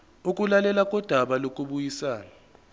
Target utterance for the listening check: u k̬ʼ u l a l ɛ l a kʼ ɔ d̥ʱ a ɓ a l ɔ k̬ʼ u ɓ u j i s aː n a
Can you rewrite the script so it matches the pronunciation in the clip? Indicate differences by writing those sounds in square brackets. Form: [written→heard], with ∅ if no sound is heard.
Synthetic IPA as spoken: u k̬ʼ u l a l ɛ l a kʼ ɔ d̥ʱ a ɓ a l [ɔ→o] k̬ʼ u ɓ u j i s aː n a